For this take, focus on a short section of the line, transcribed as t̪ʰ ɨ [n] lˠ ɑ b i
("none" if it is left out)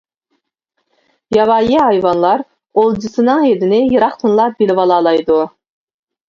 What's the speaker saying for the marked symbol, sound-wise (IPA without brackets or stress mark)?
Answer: n